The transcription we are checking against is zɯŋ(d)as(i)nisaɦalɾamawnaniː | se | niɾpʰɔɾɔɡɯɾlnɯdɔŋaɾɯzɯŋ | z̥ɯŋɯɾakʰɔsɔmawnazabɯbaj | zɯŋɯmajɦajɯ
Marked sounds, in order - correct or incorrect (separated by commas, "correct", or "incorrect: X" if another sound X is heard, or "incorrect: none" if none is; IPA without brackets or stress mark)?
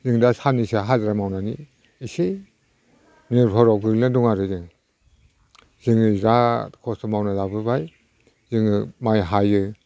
correct, incorrect: a